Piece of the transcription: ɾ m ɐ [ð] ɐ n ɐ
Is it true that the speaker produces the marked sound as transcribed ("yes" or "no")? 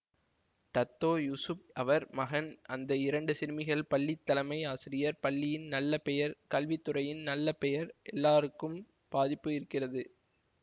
no